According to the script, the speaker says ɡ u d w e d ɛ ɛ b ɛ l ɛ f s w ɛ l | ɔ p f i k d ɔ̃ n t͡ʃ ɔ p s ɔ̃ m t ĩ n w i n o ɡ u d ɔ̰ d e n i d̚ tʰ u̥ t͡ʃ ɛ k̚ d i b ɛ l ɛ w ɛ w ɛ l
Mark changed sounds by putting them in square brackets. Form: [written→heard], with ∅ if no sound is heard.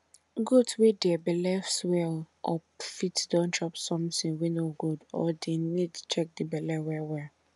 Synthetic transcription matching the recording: ɡ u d w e d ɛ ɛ b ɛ l ɛ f s w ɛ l | ɔ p f i [k→t] d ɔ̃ n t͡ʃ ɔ p s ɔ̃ m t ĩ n w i n o ɡ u d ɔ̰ d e n i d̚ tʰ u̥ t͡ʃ ɛ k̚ d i b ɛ l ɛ w ɛ w ɛ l